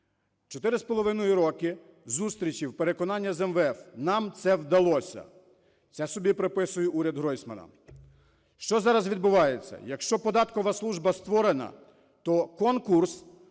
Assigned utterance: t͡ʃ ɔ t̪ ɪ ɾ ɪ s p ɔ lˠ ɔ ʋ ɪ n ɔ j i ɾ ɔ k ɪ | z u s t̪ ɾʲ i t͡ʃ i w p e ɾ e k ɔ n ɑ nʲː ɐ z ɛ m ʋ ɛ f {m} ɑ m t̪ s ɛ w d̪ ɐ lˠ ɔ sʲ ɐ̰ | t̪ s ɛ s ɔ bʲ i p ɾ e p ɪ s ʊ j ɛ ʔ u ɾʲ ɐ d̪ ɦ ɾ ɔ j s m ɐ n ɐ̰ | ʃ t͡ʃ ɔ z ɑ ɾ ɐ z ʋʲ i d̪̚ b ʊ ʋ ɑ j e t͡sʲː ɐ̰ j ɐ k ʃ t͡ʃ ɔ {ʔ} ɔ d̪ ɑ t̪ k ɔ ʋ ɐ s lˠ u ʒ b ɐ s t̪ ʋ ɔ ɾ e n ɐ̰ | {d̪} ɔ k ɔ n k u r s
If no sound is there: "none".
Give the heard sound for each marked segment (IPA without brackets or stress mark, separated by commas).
n, p, t̪